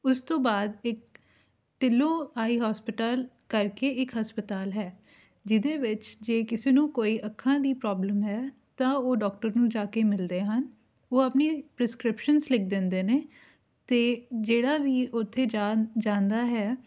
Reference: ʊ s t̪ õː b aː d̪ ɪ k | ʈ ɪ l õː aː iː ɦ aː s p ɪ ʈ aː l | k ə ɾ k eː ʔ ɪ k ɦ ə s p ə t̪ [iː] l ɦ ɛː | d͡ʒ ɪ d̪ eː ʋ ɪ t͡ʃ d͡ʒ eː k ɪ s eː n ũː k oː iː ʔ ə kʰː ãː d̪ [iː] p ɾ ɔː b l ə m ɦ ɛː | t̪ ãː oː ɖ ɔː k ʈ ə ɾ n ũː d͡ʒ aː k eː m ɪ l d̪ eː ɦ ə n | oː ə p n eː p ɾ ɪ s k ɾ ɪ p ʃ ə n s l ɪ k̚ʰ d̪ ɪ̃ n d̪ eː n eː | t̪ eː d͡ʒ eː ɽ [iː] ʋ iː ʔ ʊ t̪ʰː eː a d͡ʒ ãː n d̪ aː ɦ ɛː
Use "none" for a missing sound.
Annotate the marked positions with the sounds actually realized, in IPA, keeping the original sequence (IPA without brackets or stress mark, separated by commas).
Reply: aː, iː, aː